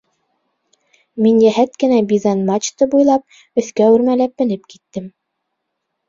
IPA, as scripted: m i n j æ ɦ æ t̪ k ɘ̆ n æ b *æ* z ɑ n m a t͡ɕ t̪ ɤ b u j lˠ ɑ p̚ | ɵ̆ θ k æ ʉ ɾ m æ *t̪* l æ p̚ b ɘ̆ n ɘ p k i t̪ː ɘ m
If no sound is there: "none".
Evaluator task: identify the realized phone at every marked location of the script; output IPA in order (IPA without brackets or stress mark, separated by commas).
i, none